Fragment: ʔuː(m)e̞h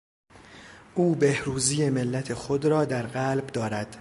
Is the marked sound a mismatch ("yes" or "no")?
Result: yes